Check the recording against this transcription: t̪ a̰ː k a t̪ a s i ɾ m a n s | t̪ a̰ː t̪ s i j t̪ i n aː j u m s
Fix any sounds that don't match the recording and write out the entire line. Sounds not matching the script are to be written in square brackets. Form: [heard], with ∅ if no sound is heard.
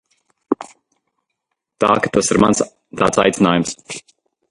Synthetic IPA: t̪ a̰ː k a t̪ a s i ɾ m a n s | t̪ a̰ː t̪ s [a] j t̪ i n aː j u m s